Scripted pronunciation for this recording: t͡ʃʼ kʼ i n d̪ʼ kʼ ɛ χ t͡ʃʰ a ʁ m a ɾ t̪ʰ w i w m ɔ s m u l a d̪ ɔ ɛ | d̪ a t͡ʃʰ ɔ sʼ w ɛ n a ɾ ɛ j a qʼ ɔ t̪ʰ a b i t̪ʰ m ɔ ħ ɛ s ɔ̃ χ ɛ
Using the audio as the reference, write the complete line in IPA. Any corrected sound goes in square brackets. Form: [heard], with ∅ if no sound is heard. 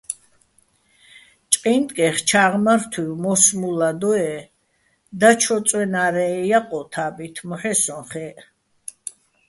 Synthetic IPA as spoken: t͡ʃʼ [qʼ] i n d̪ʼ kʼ ɛ χ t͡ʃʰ a ʁ m a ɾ t̪ʰ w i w m ɔ s m u l a d̪ ɔ ɛ | d̪ a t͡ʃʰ ɔ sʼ w ɛ n a ɾ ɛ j a qʼ ɔ t̪ʰ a b i t̪ʰ m ɔ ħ ɛ s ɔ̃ χ ɛ